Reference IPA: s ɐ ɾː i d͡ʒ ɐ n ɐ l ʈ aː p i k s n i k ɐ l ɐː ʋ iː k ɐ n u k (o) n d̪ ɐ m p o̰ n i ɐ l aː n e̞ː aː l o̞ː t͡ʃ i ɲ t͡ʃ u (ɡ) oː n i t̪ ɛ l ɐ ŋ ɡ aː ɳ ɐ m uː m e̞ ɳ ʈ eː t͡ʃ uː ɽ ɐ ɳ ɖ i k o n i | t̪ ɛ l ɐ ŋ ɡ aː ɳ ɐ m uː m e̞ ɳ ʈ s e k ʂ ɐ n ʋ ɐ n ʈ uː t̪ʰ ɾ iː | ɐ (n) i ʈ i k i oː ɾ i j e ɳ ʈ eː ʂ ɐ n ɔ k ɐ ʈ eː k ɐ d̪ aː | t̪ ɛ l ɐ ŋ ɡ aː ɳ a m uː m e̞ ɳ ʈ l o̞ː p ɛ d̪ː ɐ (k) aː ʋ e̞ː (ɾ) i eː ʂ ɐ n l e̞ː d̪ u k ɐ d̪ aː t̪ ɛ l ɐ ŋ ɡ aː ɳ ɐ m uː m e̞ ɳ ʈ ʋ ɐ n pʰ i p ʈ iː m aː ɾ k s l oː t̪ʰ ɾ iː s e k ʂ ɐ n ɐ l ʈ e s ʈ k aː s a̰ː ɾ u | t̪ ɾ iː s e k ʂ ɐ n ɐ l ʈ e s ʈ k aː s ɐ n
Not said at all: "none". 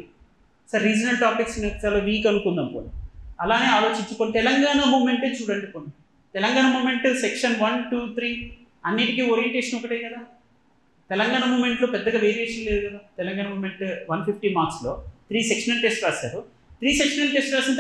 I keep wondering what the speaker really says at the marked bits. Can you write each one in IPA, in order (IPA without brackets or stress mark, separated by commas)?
u, k, nː, ɡ, ɾ